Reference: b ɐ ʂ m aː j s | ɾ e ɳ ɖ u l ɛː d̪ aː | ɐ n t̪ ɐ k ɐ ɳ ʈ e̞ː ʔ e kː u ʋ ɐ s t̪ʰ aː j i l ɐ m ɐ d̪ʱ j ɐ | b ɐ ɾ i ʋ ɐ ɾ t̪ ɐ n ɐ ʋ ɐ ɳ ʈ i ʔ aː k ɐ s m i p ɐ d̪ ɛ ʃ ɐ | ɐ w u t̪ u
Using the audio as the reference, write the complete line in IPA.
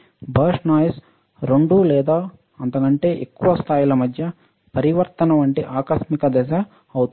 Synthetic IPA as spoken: b ɐ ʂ n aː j s | ɾ e ɳ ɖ u l ɛː d̪ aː | ɐ n t̪ ɐ k ɐ ɳ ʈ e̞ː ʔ e kː u ʋ ɐ s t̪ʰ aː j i l ɐ m ɐ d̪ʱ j ɐ | p ɐ ɾ i ʋ ɐ ɾ t̪ ɐ n ɐ ʋ ɐ ɳ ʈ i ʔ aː k ɐ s m i k ɐ d̪ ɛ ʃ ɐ | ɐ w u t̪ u